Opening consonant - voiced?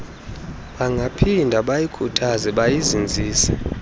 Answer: yes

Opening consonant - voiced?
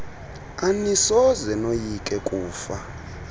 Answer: yes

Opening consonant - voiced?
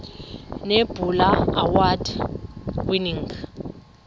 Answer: yes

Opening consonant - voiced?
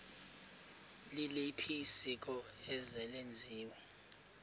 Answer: yes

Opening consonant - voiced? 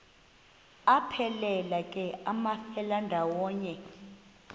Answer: no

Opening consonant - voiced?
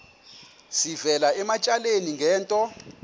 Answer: no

